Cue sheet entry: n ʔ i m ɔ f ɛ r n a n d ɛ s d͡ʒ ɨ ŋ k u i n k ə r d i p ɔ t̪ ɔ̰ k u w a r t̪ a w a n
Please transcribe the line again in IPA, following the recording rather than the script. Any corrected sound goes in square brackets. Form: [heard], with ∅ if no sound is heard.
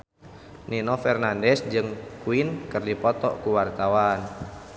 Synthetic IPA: n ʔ i [n] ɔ f ɛ r n a n d ɛ s d͡ʒ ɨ ŋ k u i n k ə r d i p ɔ t̪ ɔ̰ k u w a r t̪ a w a n